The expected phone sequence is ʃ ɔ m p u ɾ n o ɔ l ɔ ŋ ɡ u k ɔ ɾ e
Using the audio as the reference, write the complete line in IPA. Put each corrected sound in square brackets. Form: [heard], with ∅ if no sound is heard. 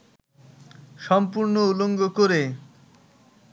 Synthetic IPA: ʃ ɔ m p u ɾ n o [u] l [o] ŋ ɡ [o] k [o] ɾ e